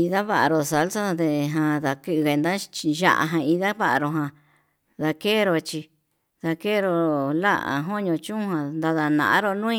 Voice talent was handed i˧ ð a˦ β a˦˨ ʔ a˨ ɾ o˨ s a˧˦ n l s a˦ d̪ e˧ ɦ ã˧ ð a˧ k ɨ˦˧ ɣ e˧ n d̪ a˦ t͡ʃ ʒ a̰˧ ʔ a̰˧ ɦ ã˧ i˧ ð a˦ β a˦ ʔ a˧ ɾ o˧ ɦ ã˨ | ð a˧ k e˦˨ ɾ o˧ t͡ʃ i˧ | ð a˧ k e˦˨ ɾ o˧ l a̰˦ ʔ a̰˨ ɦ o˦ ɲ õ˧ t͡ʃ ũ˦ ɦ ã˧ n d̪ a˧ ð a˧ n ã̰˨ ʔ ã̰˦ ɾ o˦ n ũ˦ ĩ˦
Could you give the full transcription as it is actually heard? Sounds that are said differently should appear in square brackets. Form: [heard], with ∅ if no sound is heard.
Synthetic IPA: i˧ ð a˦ β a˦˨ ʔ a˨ ɾ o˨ s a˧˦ [∅] l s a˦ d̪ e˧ ɦ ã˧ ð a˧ k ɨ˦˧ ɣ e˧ n d̪ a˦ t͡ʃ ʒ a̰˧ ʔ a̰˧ ɦ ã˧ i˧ ð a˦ β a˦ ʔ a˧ ɾ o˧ ɦ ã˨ | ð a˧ k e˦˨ ɾ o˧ t͡ʃ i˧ | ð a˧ k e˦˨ ɾ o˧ l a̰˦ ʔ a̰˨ ɦ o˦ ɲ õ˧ t͡ʃ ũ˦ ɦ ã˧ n d̪ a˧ ð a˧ n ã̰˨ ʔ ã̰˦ ɾ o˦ n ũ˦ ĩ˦